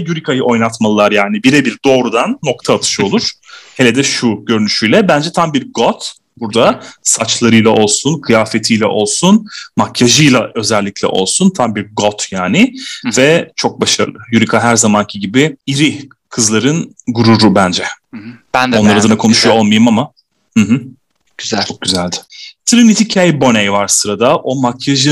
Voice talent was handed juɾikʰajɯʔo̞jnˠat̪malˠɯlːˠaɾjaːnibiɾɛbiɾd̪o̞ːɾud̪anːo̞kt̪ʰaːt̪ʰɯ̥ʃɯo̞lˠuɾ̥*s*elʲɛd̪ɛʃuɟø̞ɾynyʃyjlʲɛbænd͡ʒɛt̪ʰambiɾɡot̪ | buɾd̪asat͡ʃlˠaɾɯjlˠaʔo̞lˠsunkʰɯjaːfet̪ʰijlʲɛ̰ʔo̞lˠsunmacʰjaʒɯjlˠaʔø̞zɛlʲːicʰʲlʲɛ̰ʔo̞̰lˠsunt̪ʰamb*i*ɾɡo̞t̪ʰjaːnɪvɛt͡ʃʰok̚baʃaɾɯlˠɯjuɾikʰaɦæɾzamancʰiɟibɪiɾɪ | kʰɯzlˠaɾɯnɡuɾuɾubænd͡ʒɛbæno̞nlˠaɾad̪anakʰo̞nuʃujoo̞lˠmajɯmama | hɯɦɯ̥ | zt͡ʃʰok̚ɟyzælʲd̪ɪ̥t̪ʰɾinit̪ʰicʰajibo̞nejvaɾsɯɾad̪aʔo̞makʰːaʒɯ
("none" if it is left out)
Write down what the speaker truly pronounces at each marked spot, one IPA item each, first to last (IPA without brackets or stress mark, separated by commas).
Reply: h, i